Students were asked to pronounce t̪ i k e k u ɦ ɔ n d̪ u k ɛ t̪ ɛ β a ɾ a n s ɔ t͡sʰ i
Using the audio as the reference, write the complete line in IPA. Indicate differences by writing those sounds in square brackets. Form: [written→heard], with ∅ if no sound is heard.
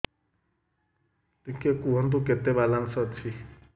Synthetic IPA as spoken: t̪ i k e k u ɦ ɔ n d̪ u k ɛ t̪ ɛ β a [ɾ→l] a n s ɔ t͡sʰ i